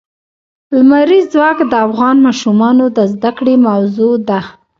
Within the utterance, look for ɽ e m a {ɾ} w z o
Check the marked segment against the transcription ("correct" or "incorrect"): incorrect